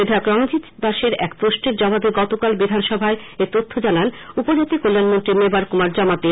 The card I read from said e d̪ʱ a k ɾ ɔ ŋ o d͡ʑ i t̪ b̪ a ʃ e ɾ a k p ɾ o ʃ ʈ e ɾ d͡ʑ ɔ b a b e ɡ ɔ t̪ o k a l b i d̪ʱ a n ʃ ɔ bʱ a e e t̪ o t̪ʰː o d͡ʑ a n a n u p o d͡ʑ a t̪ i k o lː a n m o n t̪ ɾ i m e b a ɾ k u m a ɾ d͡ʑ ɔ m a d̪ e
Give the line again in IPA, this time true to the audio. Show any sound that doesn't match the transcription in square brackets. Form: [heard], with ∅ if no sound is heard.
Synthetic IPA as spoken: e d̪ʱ a k ɾ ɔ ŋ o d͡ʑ i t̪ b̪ a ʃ e ɾ [ɛ] k p ɾ o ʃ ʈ e ɾ d͡ʑ ɔ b a b e ɡ ɔ t̪ o k a l b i d̪ʱ a n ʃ ɔ bʱ a e e t̪ o t̪ʰː o d͡ʑ a n a n u p o d͡ʑ a t̪ i k o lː a n m o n t̪ ɾ i m e b a ɾ k u m a ɾ d͡ʑ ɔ m a [t̪] e